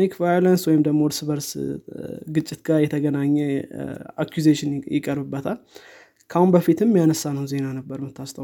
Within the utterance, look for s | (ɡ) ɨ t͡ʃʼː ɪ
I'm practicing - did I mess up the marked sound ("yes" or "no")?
no